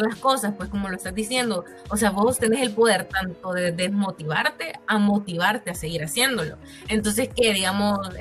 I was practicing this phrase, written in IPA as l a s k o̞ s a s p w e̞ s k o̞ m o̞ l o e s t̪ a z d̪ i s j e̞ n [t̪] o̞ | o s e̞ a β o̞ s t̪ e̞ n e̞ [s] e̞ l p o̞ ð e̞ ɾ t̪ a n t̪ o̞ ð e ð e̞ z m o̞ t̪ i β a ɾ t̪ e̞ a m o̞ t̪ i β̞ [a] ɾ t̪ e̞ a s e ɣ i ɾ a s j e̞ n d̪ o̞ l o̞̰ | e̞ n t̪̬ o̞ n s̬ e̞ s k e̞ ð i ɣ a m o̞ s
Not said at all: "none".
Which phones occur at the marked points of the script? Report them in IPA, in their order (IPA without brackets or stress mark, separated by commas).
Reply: d̪, s, a